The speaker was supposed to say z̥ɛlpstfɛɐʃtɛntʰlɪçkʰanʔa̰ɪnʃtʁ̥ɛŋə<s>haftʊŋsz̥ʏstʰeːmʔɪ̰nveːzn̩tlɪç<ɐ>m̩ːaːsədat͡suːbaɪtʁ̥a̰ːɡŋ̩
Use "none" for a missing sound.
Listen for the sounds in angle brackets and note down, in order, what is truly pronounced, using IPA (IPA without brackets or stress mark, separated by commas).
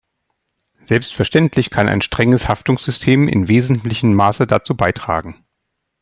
s, ə